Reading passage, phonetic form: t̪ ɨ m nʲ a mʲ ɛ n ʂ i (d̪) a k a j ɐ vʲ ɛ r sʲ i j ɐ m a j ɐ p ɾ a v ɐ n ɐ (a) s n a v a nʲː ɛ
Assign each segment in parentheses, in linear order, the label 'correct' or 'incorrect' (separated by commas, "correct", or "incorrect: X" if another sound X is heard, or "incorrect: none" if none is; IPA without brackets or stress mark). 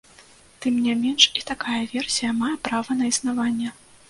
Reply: incorrect: t̪, incorrect: i